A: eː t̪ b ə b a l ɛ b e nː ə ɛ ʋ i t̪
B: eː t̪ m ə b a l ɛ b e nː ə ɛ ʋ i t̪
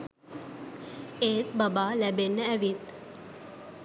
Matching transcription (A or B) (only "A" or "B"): A